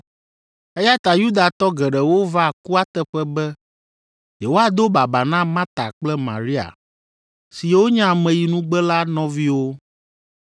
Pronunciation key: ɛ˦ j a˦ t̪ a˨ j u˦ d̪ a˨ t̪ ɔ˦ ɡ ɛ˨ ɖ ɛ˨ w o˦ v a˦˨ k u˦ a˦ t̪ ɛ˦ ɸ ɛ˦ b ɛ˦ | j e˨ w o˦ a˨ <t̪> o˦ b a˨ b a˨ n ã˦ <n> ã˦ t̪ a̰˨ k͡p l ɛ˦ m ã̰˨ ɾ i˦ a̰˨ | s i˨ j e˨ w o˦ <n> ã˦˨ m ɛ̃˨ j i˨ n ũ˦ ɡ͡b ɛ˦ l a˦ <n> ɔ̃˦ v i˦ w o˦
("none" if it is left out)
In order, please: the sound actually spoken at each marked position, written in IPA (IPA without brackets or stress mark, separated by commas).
d̪, m, ɲ, n